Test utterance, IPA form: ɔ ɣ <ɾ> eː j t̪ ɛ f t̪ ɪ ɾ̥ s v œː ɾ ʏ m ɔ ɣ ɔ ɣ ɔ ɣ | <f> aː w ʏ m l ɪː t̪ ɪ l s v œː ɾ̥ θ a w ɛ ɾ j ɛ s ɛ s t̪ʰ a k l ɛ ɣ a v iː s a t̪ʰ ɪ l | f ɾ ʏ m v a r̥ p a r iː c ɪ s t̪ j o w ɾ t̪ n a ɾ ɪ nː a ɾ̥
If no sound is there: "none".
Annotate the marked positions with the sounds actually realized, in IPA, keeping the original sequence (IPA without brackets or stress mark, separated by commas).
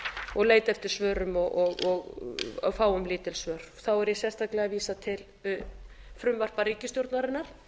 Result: l, f